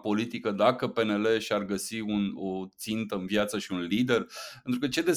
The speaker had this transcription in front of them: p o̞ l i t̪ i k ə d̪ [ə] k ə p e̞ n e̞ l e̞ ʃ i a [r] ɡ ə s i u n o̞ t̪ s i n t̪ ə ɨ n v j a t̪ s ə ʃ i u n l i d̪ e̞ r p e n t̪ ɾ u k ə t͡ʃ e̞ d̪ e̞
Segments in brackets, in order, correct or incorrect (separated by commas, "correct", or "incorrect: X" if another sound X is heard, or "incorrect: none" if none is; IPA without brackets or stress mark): incorrect: a, correct